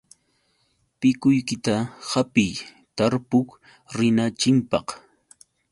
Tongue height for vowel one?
high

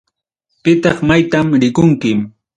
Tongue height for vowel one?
high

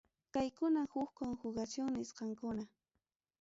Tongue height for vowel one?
low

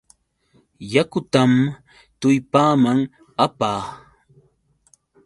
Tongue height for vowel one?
low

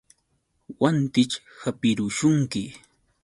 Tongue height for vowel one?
low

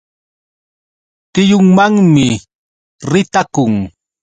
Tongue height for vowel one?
high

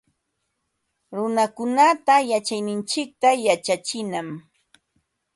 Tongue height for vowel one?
high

